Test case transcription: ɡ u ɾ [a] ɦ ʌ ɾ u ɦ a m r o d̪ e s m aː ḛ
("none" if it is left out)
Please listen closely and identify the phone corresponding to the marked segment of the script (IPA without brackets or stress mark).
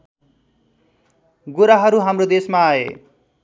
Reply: a